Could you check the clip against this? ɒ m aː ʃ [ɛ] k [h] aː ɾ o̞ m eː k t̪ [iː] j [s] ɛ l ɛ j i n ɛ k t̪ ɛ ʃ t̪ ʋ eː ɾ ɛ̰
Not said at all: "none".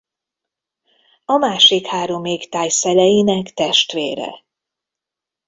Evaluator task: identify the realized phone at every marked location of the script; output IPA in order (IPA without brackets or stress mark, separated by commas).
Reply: i, h, aː, s